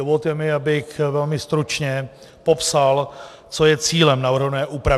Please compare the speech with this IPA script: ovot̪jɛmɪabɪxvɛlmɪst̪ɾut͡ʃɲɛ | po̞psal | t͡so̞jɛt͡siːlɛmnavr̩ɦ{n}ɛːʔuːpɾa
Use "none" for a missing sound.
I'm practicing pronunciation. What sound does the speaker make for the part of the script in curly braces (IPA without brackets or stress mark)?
n